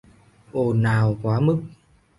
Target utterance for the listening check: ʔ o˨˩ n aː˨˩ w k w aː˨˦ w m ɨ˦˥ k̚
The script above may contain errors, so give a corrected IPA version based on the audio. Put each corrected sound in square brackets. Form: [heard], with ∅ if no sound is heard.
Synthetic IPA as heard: ʔ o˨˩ n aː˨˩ w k w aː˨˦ [∅] m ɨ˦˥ k̚